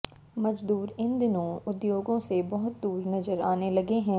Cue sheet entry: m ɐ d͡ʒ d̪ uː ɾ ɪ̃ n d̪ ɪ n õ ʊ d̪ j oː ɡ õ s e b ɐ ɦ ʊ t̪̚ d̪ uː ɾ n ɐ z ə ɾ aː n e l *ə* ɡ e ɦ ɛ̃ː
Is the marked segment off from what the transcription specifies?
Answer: yes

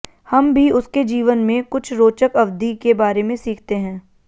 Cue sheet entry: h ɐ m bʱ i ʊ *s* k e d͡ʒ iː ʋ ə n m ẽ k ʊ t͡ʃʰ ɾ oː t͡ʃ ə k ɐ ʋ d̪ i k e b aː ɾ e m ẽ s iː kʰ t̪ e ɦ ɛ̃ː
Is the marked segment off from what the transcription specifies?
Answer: no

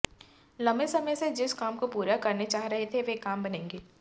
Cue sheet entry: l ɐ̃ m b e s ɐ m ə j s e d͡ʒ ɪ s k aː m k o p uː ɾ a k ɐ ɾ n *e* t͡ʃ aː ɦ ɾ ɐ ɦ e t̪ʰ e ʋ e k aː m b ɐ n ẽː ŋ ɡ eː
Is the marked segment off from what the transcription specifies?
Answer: no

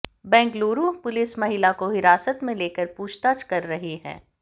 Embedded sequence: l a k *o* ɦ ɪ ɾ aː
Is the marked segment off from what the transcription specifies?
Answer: no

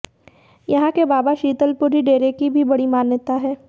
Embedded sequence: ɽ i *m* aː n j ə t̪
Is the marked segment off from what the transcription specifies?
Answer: no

